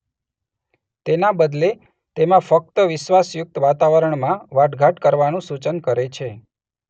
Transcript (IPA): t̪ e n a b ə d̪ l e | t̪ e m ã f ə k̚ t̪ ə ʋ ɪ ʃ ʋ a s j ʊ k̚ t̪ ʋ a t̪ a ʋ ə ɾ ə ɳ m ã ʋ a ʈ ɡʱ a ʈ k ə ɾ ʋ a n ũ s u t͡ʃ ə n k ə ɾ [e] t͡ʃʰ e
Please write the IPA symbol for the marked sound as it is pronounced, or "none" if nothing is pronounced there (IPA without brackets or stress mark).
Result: e